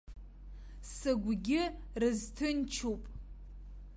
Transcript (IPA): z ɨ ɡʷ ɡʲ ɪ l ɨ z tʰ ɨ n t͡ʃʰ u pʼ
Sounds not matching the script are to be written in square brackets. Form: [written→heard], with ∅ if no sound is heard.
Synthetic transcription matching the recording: [z→s] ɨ ɡʷ ɡʲ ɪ [l→r] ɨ z tʰ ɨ n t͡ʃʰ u pʼ